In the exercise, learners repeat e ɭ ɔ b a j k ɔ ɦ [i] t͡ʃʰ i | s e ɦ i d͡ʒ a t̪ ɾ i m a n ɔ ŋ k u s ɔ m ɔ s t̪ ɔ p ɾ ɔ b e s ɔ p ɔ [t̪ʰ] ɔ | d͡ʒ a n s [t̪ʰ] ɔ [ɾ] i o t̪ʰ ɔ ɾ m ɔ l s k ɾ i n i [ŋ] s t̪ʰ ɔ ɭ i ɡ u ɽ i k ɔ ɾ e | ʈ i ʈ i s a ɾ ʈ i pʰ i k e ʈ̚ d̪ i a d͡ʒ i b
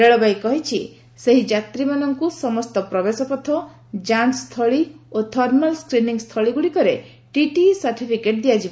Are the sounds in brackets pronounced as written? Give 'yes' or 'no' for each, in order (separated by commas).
yes, yes, yes, no, yes